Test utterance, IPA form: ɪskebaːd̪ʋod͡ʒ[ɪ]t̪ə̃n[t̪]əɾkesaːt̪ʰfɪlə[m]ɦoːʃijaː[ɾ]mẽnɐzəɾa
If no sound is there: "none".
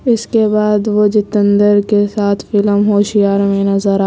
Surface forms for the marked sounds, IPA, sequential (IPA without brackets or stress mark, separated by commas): ɪ, d̪, m, ɾ